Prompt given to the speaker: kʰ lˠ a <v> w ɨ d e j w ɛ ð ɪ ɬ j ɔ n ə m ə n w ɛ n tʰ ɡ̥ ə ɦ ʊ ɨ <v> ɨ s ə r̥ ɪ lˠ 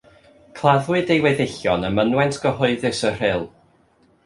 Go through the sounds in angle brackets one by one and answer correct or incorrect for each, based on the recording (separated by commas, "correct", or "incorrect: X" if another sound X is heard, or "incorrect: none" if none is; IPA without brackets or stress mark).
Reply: incorrect: ð, incorrect: ð